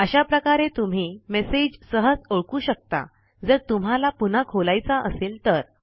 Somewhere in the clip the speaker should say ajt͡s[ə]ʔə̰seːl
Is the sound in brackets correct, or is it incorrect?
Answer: incorrect